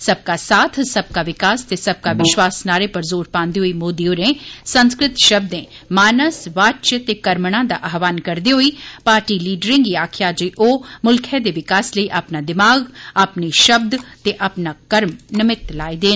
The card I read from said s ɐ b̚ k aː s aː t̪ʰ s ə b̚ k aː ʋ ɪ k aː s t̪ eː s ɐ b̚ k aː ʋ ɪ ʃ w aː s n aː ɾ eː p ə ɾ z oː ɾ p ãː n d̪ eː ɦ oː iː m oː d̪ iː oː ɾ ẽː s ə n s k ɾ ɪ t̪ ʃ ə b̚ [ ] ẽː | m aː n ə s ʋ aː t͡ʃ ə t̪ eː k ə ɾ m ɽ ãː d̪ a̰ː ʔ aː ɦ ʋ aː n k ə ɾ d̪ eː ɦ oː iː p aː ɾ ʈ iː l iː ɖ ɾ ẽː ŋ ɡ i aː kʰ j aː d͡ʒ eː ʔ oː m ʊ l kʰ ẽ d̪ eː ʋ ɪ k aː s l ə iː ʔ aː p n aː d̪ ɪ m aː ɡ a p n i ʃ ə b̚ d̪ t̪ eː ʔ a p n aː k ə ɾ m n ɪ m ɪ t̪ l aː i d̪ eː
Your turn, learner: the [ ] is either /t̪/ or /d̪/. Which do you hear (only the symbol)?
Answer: d̪